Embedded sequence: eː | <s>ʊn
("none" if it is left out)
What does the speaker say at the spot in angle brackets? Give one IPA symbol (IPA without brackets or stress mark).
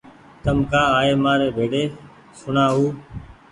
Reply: s